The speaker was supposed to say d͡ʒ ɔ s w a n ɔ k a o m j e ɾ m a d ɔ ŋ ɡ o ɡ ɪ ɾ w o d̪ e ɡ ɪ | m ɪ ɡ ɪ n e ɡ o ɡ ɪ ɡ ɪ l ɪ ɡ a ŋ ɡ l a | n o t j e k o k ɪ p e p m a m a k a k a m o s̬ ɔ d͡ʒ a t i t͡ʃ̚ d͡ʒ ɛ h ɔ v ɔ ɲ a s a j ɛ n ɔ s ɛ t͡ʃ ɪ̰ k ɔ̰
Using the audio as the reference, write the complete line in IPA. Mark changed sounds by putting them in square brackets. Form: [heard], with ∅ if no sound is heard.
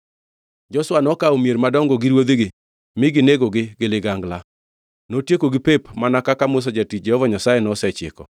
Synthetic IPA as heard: d͡ʒ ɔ s w a n ɔ k a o m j e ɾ m a d ɔ ŋ ɡ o ɡ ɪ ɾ w o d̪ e ɡ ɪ | m ɪ ɡ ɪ n e ɡ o ɡ ɪ ɡ ɪ l ɪ ɡ a ŋ ɡ l a | n o t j e k o [ɡ] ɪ p e p m a [n] a k a k a m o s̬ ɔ d͡ʒ a t i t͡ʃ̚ d͡ʒ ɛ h ɔ v ɔ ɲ a s a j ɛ n ɔ s ɛ t͡ʃ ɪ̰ k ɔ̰